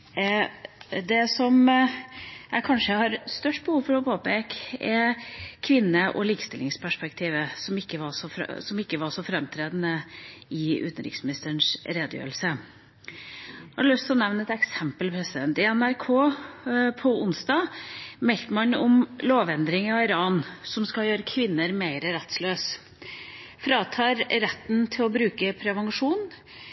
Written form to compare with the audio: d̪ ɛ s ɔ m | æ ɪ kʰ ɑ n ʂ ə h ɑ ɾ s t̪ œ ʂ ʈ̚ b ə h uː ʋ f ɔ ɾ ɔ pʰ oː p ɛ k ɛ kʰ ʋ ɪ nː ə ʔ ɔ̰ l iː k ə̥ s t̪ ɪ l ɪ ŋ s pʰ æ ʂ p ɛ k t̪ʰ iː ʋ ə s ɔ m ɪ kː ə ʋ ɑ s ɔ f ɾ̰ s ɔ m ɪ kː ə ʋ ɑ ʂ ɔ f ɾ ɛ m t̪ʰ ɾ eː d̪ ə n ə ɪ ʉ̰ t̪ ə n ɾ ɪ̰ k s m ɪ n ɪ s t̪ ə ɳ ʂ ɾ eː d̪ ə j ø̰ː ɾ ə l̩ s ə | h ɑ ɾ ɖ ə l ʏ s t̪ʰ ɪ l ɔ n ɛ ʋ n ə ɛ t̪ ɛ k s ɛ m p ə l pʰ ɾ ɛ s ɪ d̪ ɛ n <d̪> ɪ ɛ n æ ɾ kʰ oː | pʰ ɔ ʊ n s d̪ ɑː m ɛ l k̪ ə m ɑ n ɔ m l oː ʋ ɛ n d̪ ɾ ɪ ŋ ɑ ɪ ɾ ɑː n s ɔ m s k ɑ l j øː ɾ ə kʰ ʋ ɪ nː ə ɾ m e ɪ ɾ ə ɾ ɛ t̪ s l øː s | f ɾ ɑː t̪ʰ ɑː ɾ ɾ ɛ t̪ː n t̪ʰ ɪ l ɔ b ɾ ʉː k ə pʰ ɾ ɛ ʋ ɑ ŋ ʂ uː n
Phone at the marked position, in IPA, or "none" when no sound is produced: t̪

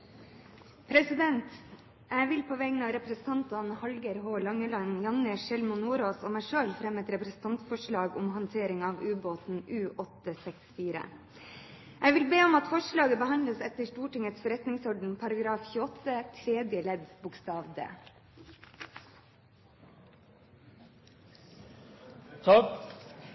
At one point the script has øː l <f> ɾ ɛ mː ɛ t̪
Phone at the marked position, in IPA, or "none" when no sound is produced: f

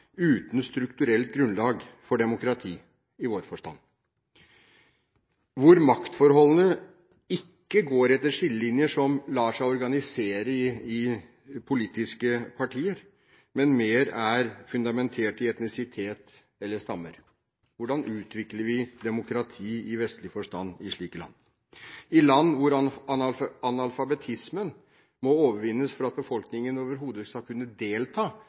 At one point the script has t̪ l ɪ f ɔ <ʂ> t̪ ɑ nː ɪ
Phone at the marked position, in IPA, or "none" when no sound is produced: ʂ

